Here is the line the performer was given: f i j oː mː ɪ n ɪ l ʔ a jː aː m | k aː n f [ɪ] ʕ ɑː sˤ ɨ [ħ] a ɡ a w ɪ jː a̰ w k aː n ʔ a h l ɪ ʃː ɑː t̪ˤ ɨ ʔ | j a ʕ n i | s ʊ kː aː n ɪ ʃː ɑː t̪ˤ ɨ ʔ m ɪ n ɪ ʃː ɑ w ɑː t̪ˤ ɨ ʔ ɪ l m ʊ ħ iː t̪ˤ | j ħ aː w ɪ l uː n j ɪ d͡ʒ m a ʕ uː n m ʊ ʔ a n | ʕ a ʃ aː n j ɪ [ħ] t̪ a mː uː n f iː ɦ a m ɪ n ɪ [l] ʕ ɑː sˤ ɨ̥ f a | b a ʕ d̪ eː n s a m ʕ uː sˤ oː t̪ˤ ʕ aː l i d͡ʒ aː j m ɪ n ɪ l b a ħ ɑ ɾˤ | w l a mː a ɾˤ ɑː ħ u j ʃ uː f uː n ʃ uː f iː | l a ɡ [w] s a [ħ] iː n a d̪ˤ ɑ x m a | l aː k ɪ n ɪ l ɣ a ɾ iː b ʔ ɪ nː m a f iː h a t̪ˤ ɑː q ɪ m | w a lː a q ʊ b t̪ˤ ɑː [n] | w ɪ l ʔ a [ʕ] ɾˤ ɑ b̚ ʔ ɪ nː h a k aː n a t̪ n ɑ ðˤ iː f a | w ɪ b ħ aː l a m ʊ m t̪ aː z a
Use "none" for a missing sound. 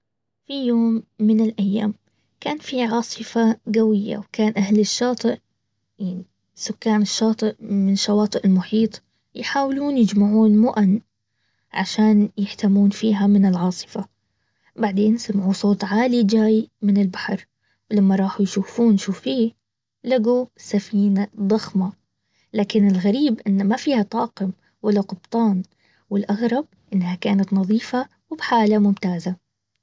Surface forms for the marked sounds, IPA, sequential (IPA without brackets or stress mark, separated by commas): i, f, ħ, l, u, f, n, ɣ